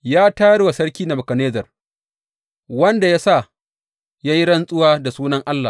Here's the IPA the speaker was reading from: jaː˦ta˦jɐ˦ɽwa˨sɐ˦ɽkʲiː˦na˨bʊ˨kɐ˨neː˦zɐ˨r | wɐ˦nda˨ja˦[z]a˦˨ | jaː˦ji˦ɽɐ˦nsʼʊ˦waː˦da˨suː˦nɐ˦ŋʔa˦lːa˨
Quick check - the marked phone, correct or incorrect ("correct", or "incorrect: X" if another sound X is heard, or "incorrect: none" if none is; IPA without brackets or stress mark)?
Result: incorrect: s